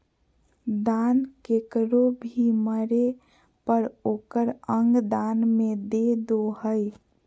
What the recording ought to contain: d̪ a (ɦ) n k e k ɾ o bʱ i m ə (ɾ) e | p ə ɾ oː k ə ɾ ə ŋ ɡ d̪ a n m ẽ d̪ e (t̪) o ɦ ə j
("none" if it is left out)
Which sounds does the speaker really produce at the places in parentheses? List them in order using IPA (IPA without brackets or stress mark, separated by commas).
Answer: none, ɾ, d̪